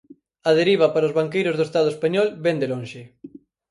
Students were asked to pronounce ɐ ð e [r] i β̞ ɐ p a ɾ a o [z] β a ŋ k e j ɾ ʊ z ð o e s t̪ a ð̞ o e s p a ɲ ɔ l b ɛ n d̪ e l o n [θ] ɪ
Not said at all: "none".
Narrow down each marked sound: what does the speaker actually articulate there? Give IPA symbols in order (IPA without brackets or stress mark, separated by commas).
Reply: ɾ, z, ʃ